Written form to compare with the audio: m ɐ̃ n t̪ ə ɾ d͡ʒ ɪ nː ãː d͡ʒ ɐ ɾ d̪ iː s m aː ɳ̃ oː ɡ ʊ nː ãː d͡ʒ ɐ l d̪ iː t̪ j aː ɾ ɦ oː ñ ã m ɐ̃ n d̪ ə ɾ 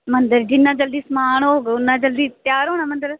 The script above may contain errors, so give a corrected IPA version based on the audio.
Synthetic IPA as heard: m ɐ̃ n d̪ ə ɾ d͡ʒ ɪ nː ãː d͡ʒ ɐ l d̪ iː s m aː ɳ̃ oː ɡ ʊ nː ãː d͡ʒ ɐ l d̪ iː t̪ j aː ɾ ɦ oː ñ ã m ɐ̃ n d̪ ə ɾ